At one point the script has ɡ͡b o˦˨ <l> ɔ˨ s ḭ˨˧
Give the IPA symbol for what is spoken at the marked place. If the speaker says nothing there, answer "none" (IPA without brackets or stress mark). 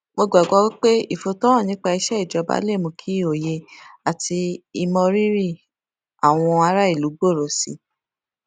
ɾ